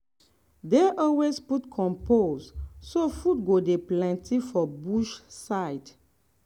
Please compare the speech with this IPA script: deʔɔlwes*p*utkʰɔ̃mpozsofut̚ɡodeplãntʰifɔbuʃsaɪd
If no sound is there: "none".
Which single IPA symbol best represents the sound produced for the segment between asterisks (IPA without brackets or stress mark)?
p